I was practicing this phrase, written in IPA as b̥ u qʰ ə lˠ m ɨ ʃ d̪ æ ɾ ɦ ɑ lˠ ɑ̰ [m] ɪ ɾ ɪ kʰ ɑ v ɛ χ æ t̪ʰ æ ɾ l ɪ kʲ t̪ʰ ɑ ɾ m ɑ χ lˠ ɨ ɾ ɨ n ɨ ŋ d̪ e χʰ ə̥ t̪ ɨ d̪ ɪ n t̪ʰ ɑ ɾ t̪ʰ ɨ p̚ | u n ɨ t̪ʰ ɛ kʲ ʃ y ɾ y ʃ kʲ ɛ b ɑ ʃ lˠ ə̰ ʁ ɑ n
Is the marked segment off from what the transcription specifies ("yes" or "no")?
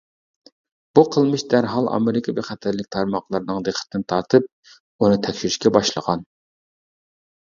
no